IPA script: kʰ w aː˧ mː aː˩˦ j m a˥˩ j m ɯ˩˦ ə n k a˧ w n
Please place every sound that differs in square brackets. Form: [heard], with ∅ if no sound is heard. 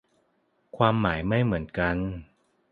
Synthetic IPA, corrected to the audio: kʰ w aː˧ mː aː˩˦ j m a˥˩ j m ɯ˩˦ ə n k a˧ [∅] n